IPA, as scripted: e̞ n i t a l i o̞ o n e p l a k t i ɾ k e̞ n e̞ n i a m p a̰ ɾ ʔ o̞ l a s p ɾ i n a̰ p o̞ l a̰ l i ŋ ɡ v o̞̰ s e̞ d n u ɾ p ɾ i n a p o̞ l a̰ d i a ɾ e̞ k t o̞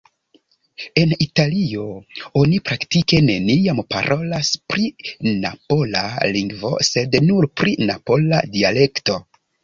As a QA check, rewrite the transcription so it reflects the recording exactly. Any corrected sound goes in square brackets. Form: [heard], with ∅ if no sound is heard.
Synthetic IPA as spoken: e̞ n i t a l i o̞ o n [i] p [ɾ] a k t i [∅] k e̞ n e̞ n i a m p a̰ ɾ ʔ o̞ l a s p ɾ i n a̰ p o̞ l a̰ l i ŋ ɡ v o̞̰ s e̞ d n u ɾ p ɾ i n a p o̞ l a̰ d i a [l] e̞ k t o̞

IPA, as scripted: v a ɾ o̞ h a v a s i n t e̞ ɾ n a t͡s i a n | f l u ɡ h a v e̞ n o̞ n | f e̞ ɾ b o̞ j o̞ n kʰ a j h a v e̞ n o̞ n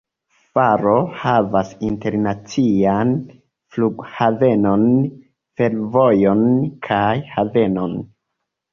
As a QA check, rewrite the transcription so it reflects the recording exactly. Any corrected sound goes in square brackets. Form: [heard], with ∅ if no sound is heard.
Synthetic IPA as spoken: [f] a ɾ o̞ h a v a s i n t e̞ ɾ n a t͡s i a n | f l u ɡ h a v e̞ n o̞ n | f e̞ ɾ [v] o̞ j o̞ n kʰ a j h a v e̞ n o̞ n

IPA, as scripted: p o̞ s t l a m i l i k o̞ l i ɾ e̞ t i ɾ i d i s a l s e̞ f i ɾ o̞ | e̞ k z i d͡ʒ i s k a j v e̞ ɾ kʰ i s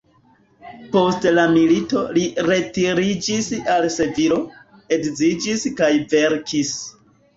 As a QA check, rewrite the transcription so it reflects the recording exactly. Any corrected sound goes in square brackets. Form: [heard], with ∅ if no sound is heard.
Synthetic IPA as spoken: p o̞ s t l a m i l i [t] o̞ l i ɾ e̞ t i ɾ i [d͡ʒ] i s a l s e̞ [v] i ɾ o̞ | e̞ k z i d͡ʒ i s k a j v e̞ ɾ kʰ i s

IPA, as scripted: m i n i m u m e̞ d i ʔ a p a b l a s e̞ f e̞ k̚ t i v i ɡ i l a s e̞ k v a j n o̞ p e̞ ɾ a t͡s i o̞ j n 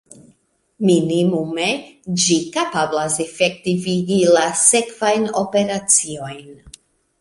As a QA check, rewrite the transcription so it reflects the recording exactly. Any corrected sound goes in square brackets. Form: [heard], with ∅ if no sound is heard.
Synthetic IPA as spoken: m i n i m u m e̞ [d͡ʒ] i [k] a p a b l a s e̞ f e̞ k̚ t i v i ɡ i l a s e̞ k v a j n o̞ p e̞ ɾ a t͡s i o̞ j n

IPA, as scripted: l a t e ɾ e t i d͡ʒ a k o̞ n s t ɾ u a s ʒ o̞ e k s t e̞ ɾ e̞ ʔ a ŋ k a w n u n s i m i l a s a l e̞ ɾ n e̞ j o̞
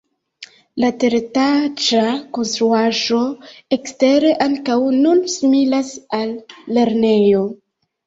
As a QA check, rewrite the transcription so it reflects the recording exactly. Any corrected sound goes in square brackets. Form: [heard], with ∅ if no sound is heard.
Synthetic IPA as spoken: l a t e ɾ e t [a] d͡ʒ a k o̞ n s t ɾ u a [∅] ʒ o̞ e k s t e̞ ɾ e̞ ʔ a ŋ k a w n u n s i m i l a s a [lː] e̞ ɾ n e̞ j o̞

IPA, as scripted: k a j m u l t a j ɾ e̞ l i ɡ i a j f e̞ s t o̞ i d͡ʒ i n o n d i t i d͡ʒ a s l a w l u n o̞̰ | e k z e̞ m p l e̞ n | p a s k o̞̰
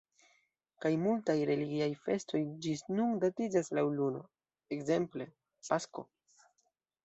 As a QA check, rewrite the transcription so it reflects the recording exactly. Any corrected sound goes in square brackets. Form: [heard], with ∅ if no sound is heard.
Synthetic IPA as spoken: k a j m u l t a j ɾ e̞ l i ɡ i a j f e̞ s t o̞ [j] d͡ʒ i n [u] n d [a] t i d͡ʒ a s l a w l u n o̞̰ | e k z e̞ m p l e̞ [∅] | p a s k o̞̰

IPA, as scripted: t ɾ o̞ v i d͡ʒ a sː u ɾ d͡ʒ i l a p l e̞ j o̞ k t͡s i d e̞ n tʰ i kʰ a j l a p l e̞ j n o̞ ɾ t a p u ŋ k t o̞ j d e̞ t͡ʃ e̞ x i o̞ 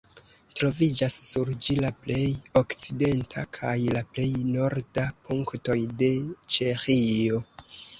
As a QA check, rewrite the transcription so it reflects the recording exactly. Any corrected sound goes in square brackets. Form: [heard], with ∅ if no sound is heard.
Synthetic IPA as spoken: t ɾ o̞ v i d͡ʒ a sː u ɾ d͡ʒ i l a p l e̞ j o̞ k t͡s i d e̞ n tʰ [a] kʰ a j l a p l e̞ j n o̞ ɾ [d] a p u ŋ k t o̞ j d e̞ t͡ʃ e̞ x i o̞

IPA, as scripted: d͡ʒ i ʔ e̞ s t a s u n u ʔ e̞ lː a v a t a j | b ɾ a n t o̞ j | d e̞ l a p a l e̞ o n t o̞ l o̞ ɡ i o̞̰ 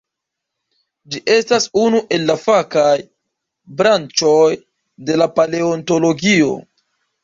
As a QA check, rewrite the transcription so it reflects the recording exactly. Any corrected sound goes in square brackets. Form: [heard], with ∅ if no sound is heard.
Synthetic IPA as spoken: d͡ʒ i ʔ e̞ s t a s u n u ʔ e̞ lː a [f] a [k] a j | b ɾ a n [t͡ʃ] o̞ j | d e̞ l a p a l e̞ o n t o̞ l o̞ ɡ i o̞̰

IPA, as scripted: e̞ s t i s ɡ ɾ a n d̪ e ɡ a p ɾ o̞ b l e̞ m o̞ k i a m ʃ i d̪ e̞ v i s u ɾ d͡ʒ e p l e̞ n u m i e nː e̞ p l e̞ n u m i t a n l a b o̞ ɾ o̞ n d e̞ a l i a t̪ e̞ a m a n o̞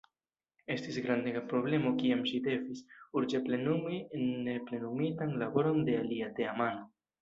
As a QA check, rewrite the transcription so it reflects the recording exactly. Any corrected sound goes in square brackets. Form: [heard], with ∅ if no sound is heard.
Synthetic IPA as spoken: e̞ s t i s ɡ ɾ a n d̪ e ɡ a p ɾ o̞ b l e̞ m o̞ k i a m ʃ i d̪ e̞ v i s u ɾ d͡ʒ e p l e̞ n u m i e nː e̞ p l e̞ n u m i t a n l a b o̞ ɾ o̞ n d e̞ a l i a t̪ e̞ a m a n o̞

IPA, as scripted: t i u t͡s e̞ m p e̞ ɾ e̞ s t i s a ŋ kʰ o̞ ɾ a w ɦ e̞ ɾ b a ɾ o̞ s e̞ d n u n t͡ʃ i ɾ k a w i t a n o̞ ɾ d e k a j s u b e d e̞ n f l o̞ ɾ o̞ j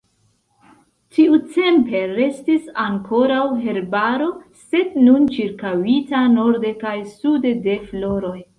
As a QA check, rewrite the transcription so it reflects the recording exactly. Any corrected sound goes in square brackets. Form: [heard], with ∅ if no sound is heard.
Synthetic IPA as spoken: t i u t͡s e̞ m p e̞ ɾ e̞ s t i s a ŋ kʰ o̞ ɾ a w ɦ e̞ ɾ b a ɾ o̞ s e̞ d n u n t͡ʃ i ɾ k a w i t a n o̞ ɾ d e k a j s u [d] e d e̞ [∅] f l o̞ ɾ o̞ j

